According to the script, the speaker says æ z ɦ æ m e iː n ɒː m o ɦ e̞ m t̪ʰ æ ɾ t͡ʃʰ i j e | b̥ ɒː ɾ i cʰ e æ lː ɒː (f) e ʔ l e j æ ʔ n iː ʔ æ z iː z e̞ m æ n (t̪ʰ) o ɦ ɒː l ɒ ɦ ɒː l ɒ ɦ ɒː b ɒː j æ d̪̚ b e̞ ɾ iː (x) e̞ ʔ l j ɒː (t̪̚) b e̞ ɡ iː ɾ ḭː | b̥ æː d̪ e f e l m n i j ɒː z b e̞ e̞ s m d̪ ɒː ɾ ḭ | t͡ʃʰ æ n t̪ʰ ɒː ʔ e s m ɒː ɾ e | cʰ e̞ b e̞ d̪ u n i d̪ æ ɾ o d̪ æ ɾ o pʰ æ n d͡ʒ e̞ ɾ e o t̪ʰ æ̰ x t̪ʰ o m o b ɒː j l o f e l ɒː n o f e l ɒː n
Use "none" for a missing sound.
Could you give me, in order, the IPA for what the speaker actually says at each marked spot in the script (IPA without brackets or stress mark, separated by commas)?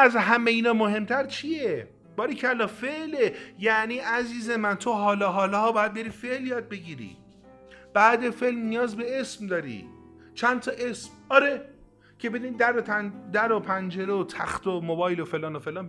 f, t̪ʰ, f, d̪̚